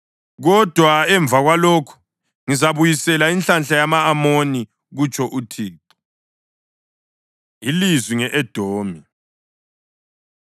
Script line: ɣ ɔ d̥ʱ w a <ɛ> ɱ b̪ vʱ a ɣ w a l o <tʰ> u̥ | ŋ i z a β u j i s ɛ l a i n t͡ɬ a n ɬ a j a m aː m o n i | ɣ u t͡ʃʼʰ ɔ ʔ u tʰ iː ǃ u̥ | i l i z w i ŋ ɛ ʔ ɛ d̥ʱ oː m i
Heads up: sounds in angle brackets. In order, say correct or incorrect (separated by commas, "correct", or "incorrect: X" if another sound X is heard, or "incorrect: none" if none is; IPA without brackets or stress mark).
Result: correct, incorrect: kʰ